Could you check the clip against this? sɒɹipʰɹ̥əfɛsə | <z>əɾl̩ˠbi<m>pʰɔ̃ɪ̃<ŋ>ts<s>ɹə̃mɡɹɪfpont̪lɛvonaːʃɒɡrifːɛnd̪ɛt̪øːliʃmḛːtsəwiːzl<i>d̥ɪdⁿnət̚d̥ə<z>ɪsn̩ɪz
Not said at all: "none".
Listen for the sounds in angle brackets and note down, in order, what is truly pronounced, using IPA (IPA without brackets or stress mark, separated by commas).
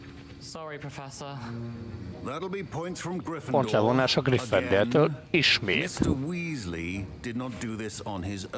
ð, none, n, f, i, ð